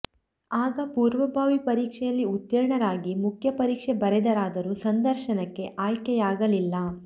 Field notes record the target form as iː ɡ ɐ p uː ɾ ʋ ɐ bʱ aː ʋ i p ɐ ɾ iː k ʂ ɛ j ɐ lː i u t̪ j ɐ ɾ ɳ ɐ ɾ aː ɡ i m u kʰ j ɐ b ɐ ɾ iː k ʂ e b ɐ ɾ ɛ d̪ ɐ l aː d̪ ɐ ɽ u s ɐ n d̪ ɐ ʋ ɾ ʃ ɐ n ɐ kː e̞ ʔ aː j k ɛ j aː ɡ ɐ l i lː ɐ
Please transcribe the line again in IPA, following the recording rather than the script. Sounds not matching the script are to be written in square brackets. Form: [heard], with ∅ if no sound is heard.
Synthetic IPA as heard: [aː] ɡ ɐ p uː ɾ ʋ ɐ bʱ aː ʋ i p ɐ ɾ iː k ʂ ɛ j ɐ lː i u t̪ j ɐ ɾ ɳ ɐ ɾ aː ɡ i m u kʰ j ɐ [p] ɐ ɾ iː k ʂ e b ɐ ɾ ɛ d̪ ɐ [ɾ] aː d̪ ɐ [ɾ] u s ɐ n d̪ ɐ [∅] ɾ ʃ ɐ n ɐ kː e̞ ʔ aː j k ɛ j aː ɡ ɐ l i lː ɐ